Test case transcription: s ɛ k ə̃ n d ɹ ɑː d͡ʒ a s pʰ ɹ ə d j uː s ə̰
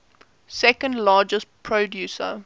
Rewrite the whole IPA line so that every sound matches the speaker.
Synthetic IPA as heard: s ɛ k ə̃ n d l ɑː d͡ʒ ə s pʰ ɹ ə d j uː s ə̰